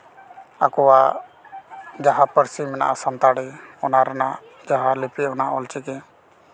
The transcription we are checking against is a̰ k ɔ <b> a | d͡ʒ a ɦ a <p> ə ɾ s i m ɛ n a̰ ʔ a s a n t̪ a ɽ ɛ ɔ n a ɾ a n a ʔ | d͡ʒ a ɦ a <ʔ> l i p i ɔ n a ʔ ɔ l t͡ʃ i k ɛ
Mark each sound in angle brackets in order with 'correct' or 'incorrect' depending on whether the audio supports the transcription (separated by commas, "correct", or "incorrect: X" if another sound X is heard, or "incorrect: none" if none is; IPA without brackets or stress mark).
incorrect: w, correct, incorrect: none